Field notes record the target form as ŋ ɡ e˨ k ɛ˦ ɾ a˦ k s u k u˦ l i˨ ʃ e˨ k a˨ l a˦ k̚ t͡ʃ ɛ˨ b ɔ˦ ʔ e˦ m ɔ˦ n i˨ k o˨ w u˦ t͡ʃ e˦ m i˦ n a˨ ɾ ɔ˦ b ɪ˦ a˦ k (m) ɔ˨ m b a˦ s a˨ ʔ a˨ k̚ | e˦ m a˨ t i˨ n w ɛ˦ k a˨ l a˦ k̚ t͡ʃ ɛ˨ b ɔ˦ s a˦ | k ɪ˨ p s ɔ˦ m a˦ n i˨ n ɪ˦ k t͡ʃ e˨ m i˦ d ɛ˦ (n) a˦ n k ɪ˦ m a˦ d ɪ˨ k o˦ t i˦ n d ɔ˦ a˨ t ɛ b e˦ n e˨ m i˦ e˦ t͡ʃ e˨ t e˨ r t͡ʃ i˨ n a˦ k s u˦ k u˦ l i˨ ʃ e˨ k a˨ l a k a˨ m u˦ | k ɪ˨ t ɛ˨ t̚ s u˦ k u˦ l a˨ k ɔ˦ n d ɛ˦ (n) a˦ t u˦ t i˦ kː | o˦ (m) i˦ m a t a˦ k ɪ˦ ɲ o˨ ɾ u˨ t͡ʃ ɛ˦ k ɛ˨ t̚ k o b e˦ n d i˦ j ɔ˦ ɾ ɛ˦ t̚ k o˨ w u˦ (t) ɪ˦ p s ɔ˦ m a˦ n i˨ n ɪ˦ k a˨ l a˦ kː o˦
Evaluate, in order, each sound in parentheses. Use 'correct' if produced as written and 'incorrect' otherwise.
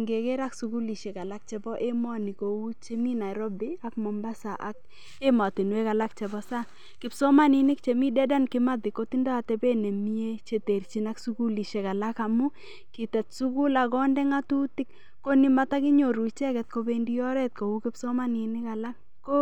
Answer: correct, incorrect, incorrect, incorrect, incorrect

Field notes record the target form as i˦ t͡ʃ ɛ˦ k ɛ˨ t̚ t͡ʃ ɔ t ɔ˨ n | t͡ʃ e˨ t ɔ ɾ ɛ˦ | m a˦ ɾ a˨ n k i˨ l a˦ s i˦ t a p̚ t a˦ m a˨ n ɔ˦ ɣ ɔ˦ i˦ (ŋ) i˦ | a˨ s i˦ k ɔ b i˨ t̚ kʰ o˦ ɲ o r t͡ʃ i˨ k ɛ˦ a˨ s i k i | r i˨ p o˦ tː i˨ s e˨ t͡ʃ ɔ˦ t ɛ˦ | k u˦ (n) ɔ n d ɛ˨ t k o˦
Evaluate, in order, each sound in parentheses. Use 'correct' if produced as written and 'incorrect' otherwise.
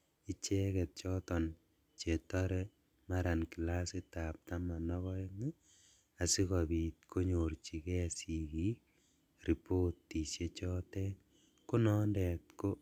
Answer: correct, correct

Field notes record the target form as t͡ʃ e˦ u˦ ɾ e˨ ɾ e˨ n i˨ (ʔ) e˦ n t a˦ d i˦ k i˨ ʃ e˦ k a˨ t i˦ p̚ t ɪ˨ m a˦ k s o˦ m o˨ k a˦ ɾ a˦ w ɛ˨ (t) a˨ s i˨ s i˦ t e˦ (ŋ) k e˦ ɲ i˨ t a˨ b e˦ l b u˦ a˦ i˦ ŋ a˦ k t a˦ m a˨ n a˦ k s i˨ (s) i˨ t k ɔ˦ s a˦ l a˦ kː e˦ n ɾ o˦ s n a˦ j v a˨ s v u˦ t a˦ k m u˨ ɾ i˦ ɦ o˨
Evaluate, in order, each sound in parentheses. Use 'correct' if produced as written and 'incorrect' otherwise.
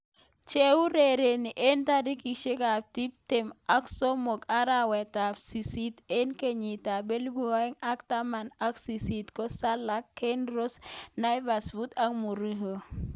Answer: correct, correct, incorrect, correct

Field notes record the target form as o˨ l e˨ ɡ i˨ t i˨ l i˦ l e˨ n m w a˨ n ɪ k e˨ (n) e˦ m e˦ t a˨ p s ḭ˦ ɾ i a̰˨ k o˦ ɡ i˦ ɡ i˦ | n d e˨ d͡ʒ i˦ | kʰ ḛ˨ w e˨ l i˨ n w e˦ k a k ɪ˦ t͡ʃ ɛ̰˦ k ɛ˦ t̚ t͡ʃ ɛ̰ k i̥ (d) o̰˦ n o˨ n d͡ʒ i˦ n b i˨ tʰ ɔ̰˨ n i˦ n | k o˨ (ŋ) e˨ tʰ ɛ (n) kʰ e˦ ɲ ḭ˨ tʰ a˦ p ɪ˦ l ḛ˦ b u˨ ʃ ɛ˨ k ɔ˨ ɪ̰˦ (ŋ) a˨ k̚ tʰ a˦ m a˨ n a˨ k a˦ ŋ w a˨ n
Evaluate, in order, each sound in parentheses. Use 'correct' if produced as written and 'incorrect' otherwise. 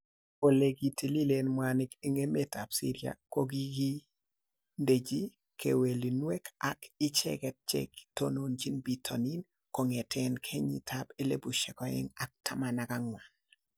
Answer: incorrect, incorrect, correct, correct, correct

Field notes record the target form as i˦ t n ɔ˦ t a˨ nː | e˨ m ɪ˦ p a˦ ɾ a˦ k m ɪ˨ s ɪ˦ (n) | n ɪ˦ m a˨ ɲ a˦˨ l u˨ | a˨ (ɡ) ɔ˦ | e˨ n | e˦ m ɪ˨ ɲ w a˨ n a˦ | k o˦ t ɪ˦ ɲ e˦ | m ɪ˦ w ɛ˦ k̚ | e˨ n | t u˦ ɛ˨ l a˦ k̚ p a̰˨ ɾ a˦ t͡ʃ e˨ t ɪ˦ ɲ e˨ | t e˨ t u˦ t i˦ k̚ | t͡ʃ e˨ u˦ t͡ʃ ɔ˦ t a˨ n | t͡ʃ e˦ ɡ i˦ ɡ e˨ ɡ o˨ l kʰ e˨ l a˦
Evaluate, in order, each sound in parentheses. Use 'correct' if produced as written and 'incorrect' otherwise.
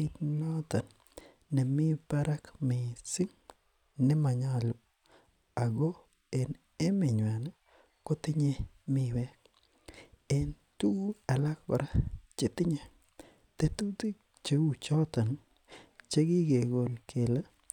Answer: incorrect, correct

